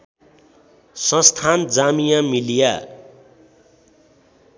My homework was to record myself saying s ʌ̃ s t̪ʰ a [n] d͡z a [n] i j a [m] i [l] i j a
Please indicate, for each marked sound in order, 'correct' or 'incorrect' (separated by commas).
correct, incorrect, correct, correct